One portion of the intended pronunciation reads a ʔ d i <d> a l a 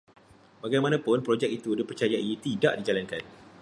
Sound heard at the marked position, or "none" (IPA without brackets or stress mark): d͡ʒ